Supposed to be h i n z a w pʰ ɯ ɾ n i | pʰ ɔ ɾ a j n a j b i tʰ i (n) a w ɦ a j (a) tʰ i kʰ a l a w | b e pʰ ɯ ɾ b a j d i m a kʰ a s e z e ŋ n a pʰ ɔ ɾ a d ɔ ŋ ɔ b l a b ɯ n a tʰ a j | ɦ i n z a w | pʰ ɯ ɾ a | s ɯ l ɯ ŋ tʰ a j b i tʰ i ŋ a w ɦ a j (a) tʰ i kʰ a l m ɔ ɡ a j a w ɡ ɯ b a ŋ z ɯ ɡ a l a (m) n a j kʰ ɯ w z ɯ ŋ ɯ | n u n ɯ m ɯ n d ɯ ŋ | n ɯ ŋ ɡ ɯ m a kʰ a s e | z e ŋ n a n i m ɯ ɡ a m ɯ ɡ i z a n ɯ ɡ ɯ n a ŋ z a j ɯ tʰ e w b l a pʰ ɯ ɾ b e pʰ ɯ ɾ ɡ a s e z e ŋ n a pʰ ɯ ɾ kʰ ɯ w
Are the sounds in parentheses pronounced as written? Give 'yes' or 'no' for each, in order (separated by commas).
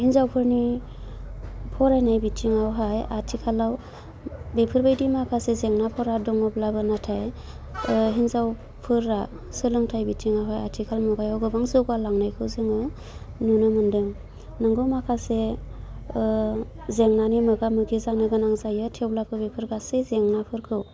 no, yes, yes, no